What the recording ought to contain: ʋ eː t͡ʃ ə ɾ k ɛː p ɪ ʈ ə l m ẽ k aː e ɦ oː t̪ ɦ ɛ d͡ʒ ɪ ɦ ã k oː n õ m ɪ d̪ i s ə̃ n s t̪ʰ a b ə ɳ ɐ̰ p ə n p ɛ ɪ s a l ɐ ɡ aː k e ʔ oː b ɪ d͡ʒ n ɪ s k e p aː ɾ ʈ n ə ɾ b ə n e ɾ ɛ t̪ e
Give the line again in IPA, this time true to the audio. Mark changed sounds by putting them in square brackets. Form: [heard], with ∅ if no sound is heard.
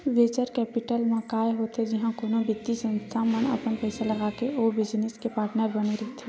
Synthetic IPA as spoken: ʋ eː t͡ʃ ə ɾ k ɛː p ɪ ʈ ə l m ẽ k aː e ɦ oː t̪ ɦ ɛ d͡ʒ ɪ ɦ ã k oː n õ [b] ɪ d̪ i s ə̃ n s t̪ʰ a [m] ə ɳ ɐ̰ p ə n p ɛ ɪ s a l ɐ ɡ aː k e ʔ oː b ɪ d͡ʒ n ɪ s k e p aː ɾ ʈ n ə ɾ b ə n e ɾ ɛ t̪ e